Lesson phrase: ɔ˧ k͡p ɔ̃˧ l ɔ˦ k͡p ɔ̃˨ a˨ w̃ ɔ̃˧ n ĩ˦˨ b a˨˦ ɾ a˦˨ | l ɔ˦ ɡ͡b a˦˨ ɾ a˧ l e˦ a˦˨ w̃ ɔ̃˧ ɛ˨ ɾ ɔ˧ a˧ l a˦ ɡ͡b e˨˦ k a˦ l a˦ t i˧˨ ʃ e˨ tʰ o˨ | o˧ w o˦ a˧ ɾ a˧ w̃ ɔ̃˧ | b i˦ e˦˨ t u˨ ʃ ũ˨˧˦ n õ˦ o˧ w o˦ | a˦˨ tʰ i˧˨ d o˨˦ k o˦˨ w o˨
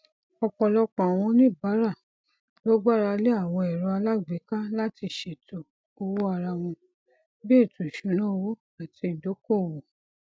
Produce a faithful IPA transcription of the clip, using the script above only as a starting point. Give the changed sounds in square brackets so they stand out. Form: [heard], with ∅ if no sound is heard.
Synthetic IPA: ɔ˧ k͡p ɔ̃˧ l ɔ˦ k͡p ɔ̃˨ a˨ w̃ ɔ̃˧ n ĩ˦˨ b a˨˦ ɾ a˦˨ | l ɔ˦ ɡ͡b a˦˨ ɾ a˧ l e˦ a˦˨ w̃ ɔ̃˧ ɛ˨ ɾ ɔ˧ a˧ l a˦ ɡ͡b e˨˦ k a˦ l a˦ t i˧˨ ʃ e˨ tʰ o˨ | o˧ w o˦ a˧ ɾ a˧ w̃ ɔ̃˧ | b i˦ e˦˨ t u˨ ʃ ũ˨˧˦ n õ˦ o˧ w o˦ | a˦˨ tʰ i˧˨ d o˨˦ k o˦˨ w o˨